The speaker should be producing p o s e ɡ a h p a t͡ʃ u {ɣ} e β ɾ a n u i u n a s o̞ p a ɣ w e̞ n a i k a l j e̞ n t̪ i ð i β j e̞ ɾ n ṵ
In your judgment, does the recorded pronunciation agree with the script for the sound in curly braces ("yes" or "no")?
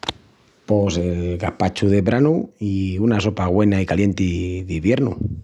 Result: no